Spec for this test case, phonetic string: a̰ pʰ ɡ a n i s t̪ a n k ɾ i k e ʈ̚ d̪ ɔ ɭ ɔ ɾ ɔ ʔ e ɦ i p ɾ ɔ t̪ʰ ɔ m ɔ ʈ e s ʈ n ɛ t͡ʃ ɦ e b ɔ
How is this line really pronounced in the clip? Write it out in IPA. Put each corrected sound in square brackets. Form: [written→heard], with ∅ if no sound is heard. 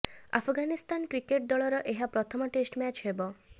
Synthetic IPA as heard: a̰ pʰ ɡ a n i s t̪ a n k ɾ i k e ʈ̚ d̪ ɔ ɭ ɔ ɾ ɔ ʔ e ɦ [i→a] p ɾ ɔ t̪ʰ ɔ m ɔ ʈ e s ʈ [n→m] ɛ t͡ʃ ɦ e b ɔ